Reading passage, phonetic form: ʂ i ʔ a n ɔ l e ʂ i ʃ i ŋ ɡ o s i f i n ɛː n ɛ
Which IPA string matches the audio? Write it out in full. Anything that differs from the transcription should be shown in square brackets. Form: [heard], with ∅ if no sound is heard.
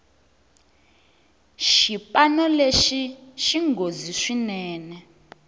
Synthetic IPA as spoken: [ʃ] i [p] a n ɔ l e [ʃ] i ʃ i ŋ ɡ o [z] i [ʂ] i n ɛː n ɛ

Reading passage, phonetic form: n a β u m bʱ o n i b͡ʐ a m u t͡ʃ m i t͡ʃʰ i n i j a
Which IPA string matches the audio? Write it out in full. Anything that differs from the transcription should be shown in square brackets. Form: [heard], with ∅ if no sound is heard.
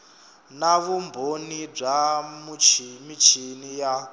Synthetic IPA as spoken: n a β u m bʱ o n i b͡ʐ a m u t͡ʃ m i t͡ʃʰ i n i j a

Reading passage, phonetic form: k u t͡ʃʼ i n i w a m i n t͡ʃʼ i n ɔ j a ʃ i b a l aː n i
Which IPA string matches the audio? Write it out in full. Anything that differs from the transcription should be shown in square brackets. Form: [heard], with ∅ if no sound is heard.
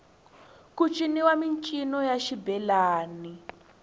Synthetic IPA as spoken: k u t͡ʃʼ i n i w a m i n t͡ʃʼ i n ɔ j a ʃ i b [ɛ] l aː n i

